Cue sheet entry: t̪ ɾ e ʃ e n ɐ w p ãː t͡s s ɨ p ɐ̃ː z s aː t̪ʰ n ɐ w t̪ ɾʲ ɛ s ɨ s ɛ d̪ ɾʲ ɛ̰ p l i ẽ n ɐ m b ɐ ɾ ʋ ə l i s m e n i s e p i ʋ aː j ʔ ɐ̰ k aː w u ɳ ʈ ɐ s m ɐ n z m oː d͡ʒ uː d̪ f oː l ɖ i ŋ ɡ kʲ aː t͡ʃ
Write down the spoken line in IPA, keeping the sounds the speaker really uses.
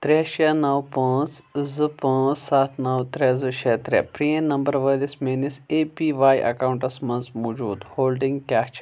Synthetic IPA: t̪ ɾ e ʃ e n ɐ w p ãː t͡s z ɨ p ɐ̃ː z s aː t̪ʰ n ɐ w t̪ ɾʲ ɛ z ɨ ʃ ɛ t̪ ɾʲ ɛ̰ p ɾ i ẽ n ɐ m b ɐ ɾ ʋ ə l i s m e n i s e p i ʋ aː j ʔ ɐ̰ k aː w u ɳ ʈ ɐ s m ɐ n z m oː d͡ʒ uː d̪ h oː l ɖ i ŋ ɡ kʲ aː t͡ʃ